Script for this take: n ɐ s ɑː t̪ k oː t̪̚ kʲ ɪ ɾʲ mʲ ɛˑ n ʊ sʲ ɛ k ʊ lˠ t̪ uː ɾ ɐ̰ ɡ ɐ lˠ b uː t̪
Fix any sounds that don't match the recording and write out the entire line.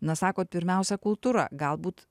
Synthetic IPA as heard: n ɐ s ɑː k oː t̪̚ pʲ ɪ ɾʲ mʲ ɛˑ ʊ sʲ ɛ k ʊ lˠ t̪ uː ɾ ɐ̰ ɡ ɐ lˠ b uː t̪